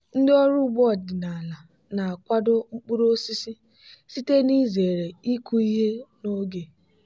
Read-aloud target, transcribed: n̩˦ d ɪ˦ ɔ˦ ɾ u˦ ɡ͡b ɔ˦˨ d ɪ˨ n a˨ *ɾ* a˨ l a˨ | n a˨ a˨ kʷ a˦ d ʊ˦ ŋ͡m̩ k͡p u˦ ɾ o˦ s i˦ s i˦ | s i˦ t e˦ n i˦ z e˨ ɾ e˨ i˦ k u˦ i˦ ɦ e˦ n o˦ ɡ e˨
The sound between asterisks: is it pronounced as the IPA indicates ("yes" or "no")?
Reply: no